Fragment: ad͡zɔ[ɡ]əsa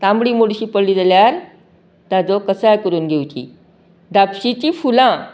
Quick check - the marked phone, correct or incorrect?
incorrect